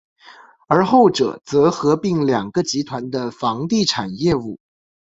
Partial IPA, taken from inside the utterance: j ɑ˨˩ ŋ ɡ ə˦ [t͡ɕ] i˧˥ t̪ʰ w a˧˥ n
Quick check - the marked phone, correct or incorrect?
correct